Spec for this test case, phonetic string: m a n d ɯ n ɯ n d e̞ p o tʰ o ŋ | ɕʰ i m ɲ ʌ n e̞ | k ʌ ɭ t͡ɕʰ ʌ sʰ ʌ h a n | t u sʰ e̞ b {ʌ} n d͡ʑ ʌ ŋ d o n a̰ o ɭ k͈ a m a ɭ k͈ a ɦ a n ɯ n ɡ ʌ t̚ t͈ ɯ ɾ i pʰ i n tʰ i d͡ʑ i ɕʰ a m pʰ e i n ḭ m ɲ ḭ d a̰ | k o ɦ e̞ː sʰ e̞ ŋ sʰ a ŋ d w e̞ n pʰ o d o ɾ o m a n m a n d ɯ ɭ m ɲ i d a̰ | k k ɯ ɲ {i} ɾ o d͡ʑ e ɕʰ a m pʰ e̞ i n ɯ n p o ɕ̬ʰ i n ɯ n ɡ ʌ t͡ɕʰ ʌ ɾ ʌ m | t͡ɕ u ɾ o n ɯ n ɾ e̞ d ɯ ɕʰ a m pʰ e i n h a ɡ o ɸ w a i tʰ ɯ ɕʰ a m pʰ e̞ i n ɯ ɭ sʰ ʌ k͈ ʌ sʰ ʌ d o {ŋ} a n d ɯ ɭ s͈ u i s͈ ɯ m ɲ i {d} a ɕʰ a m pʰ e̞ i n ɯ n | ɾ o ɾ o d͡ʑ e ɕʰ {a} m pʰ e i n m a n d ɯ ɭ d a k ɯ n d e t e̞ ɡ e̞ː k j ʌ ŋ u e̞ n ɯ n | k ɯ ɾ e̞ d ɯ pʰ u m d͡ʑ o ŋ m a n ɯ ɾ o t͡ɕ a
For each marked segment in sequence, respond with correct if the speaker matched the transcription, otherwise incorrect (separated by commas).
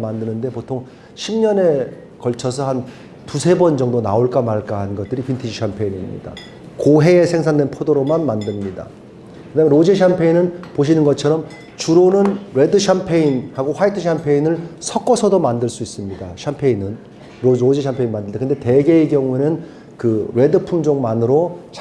correct, incorrect, incorrect, correct, correct